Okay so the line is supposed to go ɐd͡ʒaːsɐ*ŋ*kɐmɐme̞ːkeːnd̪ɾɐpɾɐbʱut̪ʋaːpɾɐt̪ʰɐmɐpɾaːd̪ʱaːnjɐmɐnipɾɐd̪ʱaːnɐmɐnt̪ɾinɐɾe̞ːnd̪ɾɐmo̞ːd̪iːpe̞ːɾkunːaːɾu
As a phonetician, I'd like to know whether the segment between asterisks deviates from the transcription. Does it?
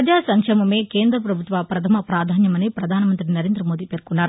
no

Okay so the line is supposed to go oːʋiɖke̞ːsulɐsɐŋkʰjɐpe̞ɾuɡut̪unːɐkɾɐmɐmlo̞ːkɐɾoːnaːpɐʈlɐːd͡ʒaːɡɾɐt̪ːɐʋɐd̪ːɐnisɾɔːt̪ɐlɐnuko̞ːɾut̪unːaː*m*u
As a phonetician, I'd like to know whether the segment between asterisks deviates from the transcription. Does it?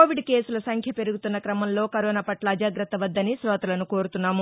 no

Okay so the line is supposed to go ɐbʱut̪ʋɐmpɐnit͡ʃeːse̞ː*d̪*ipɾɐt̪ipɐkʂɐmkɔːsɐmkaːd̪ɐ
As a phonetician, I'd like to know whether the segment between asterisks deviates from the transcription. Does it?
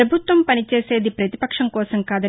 no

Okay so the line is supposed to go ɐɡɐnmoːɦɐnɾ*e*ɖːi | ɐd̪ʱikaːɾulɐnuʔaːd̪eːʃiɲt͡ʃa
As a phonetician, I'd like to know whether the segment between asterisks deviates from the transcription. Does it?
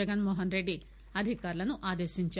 no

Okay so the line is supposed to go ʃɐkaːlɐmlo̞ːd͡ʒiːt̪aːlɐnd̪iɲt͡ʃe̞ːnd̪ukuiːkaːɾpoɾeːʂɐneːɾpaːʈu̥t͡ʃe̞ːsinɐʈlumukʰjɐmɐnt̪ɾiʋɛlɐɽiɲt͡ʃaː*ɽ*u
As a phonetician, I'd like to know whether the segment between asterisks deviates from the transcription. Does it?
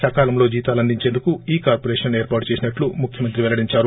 yes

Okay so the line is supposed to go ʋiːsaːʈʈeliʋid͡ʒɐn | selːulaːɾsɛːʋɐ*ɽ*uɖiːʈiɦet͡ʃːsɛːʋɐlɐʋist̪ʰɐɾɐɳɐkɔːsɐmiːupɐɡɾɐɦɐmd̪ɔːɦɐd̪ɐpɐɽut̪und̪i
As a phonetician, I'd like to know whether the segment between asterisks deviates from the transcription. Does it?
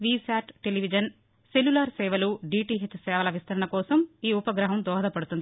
yes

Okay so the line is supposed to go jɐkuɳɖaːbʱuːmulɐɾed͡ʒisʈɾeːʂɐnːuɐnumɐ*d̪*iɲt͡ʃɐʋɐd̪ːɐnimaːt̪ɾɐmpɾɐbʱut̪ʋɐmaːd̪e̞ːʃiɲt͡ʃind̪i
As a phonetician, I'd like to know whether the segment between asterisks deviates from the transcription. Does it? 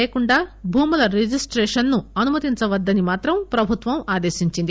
yes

